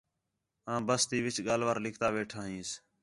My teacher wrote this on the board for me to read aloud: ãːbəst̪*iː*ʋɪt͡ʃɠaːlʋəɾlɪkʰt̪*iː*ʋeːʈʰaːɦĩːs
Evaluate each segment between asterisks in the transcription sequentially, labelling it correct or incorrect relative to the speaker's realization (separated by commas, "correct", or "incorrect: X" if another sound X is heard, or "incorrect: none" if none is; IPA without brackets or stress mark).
correct, incorrect: aː